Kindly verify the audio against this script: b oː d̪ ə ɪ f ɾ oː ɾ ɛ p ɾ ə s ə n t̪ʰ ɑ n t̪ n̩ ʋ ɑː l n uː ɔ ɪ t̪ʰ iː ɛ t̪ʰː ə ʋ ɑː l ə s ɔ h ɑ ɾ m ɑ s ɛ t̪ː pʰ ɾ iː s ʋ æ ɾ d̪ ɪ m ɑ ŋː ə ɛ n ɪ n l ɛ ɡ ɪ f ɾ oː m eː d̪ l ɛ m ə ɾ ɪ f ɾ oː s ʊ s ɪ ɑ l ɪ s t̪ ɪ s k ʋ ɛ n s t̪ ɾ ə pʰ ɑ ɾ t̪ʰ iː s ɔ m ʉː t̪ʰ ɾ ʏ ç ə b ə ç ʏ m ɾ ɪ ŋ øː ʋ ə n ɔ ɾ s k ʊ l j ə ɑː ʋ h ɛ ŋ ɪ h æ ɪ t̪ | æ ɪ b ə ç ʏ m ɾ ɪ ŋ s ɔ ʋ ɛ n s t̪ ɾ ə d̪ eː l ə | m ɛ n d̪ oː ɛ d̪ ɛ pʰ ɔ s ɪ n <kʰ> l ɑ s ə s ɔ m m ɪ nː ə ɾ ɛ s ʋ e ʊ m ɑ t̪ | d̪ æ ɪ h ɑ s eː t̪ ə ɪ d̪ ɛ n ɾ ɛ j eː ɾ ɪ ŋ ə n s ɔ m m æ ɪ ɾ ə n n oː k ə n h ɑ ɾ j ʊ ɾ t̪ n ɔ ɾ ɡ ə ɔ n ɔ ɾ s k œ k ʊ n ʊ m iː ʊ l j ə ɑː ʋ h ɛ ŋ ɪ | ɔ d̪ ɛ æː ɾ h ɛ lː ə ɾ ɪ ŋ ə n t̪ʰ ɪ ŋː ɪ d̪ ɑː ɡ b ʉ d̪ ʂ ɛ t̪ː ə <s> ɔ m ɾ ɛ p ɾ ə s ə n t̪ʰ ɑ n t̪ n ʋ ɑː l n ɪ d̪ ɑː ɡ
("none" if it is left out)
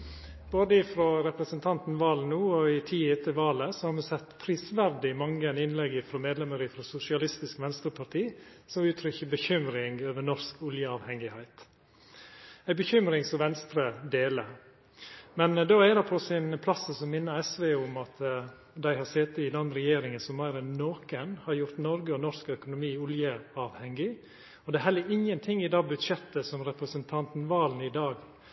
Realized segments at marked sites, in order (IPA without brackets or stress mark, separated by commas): pʰ, s